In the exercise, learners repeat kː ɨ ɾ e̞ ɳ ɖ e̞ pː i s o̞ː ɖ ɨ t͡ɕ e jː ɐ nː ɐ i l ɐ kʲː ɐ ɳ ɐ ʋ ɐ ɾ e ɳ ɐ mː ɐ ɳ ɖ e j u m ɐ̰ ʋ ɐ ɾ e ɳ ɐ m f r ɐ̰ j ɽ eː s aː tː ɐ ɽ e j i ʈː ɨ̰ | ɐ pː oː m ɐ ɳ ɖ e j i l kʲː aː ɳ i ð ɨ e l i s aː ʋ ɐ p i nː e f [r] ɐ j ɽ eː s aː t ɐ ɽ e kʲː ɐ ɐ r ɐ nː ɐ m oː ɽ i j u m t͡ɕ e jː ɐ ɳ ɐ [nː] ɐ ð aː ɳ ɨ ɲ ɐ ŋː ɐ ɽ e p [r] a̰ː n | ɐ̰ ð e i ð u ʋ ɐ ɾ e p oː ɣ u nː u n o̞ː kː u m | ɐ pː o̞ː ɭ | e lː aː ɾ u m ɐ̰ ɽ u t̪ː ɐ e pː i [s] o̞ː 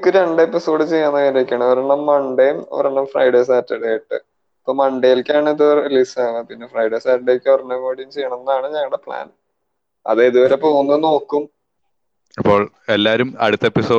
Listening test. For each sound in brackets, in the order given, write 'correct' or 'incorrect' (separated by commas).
correct, correct, incorrect, correct